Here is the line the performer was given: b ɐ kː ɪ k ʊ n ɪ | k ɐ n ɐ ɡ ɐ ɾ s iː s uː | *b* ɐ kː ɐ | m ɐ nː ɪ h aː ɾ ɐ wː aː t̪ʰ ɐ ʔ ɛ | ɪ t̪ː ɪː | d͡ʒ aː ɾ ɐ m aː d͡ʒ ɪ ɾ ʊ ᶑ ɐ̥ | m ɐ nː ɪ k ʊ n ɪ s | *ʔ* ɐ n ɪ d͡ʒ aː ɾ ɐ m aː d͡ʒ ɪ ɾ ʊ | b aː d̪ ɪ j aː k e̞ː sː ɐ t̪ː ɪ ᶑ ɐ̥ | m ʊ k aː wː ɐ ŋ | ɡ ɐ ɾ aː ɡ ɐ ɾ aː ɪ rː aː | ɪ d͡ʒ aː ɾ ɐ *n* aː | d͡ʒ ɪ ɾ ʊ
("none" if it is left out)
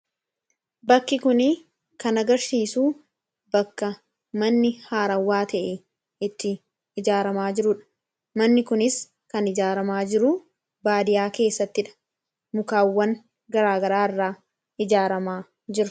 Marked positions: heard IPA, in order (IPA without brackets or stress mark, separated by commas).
b, k, m